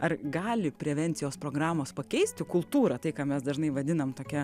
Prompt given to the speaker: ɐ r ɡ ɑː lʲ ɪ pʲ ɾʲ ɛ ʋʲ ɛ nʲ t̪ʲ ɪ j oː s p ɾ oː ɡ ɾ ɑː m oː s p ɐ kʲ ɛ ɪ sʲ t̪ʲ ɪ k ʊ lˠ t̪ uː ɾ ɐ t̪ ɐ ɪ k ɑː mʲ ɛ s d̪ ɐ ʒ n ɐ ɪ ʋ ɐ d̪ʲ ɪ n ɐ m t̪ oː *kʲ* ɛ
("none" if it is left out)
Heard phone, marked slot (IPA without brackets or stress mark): kʲ